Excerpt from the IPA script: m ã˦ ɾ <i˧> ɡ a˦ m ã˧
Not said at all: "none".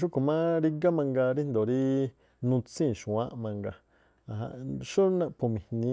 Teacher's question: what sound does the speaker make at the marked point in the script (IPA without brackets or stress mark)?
i˧